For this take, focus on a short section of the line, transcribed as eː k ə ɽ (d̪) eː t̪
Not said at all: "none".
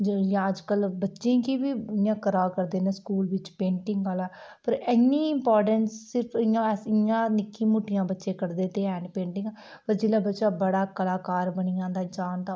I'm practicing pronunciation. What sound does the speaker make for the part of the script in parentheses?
d̪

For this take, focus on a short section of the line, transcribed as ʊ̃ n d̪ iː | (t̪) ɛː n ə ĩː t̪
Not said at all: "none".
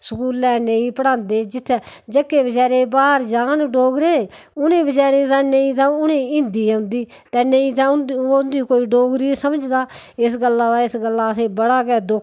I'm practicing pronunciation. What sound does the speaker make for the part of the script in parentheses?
t̪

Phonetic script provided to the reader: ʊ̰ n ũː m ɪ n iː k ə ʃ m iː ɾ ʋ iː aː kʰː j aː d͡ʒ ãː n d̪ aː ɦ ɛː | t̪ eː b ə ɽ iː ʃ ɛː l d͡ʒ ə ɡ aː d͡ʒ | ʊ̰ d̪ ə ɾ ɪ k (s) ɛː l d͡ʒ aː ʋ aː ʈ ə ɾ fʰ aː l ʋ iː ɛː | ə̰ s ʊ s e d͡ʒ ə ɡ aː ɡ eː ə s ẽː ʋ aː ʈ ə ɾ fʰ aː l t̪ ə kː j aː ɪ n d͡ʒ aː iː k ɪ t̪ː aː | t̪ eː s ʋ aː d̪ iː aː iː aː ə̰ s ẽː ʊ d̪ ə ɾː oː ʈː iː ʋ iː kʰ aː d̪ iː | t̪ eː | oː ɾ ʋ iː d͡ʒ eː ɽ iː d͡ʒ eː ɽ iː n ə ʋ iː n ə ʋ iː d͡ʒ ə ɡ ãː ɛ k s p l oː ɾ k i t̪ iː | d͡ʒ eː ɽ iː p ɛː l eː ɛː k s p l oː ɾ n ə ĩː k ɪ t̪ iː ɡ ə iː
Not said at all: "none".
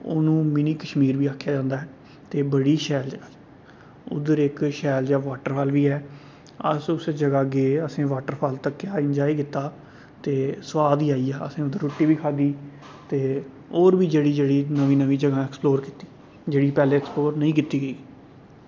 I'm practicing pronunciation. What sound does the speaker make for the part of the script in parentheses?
ʃ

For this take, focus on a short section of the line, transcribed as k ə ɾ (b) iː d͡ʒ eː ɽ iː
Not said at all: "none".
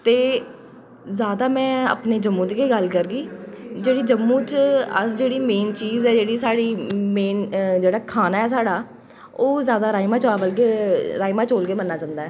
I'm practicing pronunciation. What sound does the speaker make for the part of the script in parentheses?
ɡ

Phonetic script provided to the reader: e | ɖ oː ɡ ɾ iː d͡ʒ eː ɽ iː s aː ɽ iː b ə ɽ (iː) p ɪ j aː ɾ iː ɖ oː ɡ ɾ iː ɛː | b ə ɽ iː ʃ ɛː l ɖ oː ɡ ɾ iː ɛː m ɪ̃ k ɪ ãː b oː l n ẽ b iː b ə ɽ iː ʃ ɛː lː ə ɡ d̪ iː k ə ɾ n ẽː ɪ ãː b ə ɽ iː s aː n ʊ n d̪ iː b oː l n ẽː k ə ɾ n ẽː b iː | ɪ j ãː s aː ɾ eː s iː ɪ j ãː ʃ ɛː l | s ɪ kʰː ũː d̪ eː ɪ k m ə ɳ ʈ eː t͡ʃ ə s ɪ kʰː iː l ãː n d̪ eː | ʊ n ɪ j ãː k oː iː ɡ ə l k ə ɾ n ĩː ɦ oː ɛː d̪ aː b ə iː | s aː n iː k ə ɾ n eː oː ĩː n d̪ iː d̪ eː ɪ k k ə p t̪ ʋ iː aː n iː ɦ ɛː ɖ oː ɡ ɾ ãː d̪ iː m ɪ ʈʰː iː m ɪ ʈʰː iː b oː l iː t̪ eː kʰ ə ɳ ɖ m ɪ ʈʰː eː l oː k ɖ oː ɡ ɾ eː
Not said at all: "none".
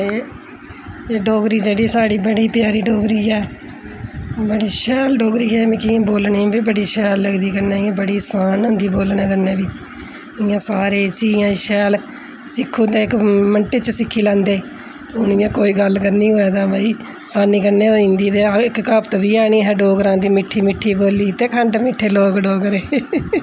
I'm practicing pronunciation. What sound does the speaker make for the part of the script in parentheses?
iː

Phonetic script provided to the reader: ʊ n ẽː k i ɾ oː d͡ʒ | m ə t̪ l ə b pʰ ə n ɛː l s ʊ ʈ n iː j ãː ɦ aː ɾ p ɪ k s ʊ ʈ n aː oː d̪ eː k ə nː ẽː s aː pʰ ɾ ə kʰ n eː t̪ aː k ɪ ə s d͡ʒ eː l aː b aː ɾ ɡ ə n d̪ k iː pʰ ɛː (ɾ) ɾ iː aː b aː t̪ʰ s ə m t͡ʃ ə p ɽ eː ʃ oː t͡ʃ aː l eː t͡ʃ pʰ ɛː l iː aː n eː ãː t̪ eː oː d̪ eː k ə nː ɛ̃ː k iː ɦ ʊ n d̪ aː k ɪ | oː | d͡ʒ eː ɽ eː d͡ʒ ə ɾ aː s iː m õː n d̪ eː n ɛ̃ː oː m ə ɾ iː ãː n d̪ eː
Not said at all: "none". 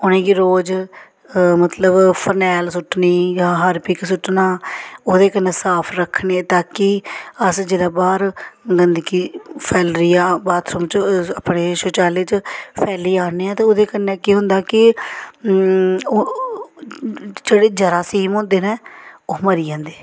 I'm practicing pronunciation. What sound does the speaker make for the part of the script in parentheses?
l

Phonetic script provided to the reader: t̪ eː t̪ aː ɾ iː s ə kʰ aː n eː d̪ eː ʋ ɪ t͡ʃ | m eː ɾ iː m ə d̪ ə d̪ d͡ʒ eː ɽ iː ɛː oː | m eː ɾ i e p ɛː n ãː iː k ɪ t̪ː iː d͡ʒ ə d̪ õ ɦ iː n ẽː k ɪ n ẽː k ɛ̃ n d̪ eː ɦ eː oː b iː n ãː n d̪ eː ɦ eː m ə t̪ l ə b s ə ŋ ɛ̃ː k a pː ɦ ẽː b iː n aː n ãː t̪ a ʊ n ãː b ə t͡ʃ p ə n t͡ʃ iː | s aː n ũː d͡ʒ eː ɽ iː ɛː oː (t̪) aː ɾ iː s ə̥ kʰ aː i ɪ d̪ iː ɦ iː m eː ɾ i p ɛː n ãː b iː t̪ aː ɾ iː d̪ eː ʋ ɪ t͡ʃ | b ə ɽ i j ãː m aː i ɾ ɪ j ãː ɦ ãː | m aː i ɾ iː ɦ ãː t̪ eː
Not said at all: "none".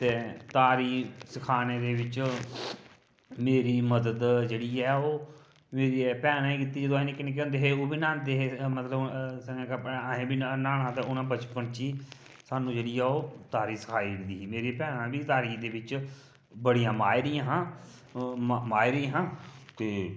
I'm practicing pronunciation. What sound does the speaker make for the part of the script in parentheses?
t̪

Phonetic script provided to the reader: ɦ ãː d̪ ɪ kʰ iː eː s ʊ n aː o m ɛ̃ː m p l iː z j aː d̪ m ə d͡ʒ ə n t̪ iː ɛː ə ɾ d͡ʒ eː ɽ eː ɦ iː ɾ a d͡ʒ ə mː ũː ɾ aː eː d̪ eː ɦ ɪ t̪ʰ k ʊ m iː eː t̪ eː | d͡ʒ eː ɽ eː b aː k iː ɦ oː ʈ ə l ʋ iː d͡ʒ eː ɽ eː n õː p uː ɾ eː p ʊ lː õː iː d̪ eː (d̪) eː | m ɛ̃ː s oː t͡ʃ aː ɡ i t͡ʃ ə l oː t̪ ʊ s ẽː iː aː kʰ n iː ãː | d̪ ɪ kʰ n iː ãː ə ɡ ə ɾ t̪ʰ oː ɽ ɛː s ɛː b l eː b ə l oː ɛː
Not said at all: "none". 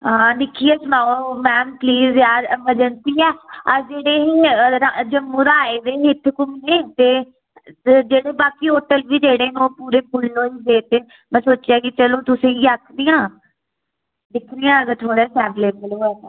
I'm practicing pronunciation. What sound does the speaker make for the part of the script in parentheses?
t̪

